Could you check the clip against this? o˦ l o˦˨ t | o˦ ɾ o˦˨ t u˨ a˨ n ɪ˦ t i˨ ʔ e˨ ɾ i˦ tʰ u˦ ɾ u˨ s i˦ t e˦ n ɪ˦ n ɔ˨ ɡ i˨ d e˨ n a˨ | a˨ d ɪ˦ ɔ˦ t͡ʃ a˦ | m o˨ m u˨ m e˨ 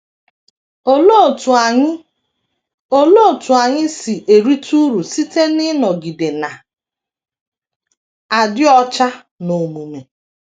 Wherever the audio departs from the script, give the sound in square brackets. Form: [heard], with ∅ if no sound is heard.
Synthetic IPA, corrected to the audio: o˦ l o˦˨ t | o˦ [l] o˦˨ t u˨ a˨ [ɲ] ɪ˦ [s] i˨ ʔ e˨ ɾ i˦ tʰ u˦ ɾ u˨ s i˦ t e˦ n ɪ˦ n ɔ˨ ɡ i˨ d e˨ n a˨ | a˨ d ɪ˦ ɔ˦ t͡ʃ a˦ | [n] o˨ m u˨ m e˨